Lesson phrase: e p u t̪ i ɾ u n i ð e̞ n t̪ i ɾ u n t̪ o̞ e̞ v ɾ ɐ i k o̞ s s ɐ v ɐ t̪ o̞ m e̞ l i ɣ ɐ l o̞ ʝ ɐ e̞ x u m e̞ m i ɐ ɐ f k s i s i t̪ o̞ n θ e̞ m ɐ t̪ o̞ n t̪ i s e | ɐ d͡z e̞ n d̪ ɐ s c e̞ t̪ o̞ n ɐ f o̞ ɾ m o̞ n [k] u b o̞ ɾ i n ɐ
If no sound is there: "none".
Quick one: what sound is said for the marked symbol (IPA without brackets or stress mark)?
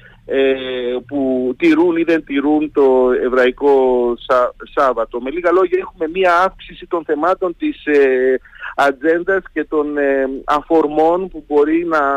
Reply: p